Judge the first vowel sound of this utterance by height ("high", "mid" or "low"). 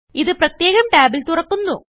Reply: high